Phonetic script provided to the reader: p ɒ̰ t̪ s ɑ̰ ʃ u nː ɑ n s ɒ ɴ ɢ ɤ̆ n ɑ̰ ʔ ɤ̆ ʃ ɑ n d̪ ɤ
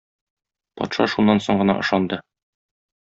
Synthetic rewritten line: p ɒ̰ t̪ ʃ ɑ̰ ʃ u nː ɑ n s o ɴ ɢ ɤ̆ n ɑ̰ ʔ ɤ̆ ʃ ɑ n d̪ ɤ